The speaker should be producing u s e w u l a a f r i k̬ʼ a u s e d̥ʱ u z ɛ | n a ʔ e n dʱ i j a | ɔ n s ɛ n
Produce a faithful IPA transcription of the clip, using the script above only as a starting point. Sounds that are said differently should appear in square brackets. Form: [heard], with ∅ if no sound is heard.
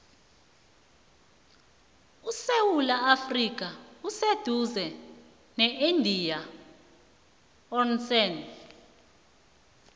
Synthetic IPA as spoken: u s e w u l a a f r i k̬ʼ a u s e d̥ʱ u z ɛ | n [ɛ] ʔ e n dʱ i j a | ɔ n s ɛ n